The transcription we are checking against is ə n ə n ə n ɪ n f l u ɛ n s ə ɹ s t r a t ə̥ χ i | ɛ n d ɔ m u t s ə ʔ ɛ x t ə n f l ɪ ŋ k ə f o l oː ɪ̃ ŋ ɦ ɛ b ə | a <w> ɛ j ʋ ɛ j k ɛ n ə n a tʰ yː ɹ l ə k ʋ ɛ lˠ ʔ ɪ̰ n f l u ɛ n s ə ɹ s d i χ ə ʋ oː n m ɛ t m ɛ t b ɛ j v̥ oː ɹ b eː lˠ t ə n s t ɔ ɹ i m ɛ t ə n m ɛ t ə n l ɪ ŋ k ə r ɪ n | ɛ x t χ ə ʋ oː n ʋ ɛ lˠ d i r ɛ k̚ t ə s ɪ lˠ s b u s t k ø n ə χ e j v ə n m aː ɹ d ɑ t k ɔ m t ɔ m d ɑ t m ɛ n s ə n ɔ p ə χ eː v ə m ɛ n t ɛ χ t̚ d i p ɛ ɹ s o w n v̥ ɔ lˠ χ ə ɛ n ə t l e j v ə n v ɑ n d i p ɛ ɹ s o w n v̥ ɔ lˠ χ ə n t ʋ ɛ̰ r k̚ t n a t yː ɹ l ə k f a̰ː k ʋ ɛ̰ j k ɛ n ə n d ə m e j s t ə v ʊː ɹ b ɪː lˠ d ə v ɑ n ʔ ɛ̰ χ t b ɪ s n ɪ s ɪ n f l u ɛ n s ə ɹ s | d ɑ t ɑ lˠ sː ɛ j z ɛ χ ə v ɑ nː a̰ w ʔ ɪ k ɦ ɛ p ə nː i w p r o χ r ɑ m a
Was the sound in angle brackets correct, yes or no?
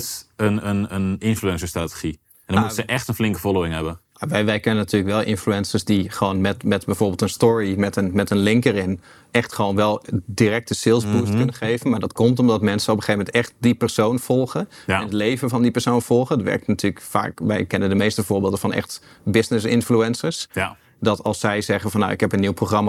no